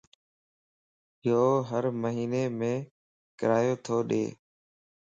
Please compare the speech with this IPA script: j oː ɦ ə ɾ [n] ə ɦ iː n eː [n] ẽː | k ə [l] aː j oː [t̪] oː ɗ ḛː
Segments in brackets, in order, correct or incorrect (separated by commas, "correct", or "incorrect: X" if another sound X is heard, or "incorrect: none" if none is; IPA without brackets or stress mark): incorrect: m, incorrect: m, incorrect: ɾ, incorrect: t̪ʰ